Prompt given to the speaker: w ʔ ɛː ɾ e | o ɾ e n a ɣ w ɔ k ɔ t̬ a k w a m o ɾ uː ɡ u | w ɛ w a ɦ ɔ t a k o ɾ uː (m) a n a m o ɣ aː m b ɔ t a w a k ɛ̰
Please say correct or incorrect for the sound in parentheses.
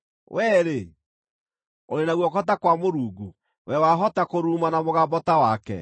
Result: correct